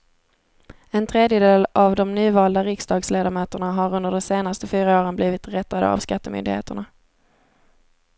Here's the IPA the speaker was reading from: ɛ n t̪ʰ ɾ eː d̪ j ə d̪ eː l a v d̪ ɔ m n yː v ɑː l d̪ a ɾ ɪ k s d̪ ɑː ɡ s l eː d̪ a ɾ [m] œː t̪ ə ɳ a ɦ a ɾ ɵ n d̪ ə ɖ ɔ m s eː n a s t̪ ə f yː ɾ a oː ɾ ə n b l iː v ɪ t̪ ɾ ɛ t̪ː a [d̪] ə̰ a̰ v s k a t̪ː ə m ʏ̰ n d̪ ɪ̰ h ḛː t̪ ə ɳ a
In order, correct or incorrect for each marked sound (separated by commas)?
correct, correct